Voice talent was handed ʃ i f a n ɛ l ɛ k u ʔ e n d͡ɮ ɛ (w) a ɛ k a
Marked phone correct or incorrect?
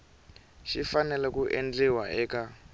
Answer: correct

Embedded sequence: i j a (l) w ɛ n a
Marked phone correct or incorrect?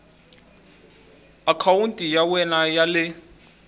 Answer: incorrect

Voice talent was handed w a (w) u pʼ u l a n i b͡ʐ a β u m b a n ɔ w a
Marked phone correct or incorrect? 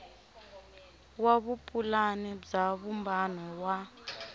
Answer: incorrect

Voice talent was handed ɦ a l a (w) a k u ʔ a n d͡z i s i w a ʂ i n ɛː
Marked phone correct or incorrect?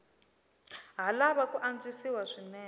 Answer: incorrect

